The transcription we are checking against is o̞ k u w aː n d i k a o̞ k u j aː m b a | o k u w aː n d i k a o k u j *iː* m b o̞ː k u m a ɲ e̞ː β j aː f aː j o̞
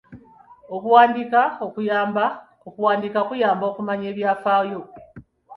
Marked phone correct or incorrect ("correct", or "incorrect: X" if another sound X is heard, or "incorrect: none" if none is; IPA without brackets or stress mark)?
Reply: incorrect: aː